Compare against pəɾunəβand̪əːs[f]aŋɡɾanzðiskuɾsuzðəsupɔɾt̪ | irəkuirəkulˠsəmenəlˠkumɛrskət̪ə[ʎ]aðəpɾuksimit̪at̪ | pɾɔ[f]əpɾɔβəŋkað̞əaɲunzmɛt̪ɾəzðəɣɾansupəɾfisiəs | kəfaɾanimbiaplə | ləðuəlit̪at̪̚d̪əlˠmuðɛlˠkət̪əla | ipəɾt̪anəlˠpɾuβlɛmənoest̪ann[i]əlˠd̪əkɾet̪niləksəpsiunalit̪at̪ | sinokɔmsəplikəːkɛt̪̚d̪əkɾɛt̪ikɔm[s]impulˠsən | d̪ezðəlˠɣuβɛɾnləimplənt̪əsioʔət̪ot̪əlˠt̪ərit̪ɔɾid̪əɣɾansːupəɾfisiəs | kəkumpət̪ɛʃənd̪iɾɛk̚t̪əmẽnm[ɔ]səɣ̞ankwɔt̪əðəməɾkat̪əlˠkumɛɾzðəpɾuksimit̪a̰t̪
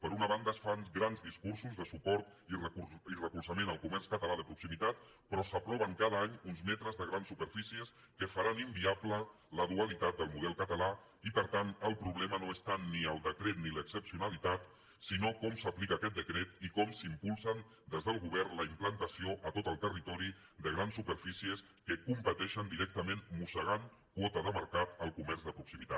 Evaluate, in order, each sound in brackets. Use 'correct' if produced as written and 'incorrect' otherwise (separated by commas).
correct, incorrect, incorrect, correct, correct, incorrect